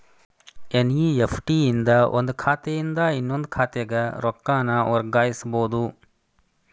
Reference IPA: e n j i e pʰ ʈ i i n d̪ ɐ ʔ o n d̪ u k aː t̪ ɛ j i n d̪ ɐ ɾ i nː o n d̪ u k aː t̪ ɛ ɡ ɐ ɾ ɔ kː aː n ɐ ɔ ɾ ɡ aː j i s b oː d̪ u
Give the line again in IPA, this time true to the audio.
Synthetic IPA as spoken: e n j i e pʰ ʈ i i n d̪ ɐ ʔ o n d̪ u kʰ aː t̪ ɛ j i n d̪ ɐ i nː o n d̪ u kʰ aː t̪ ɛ ɡ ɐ ɾ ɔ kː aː n ɐ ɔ ɾ ɡ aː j i s b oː d̪ u